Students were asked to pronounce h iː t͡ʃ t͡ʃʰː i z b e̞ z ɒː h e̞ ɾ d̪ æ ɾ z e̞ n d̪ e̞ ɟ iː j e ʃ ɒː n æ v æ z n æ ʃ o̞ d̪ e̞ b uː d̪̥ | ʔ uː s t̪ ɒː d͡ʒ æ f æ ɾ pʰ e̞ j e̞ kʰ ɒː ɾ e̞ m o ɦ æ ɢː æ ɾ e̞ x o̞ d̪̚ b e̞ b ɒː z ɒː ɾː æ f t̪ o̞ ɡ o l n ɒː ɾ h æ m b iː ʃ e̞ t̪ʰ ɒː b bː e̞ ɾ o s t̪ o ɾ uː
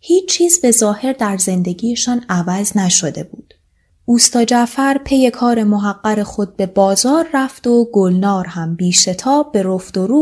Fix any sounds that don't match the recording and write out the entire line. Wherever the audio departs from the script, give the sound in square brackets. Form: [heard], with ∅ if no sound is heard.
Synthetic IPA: h iː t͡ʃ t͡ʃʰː [iː] z b e̞ z ɒː h e̞ ɾ d̪ æ ɾ z e̞ n d̪ e̞ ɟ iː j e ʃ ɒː n æ v æ z n æ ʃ o̞ d̪ e̞ b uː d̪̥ | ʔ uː s t̪ ɒː d͡ʒ æ f æ ɾ pʰ e̞ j e̞ kʰ ɒː ɾ e̞ m o ɦ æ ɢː æ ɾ e̞ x o̞ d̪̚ b e̞ b ɒː z ɒː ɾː æ f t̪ o̞ ɡ o l n ɒː ɾ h æ m b iː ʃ e̞ t̪ʰ ɒː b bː e̞ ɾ o [f] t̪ o ɾ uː